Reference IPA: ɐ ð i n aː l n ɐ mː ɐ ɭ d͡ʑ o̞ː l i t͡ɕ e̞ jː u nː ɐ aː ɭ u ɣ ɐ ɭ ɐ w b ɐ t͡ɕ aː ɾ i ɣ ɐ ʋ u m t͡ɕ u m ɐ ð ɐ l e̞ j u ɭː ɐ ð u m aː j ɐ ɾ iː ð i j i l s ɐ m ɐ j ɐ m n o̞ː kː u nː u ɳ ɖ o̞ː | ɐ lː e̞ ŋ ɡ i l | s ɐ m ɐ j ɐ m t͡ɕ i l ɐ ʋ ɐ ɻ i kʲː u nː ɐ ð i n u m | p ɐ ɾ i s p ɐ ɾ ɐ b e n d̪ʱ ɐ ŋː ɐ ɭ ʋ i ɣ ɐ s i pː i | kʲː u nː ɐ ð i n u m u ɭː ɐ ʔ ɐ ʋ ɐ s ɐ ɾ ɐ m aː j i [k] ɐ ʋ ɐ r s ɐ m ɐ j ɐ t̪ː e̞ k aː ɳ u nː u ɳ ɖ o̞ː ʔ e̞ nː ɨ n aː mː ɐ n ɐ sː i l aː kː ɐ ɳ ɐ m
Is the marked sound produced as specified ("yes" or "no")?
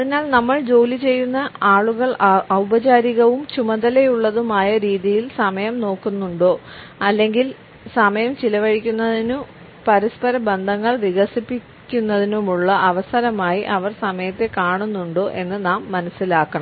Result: no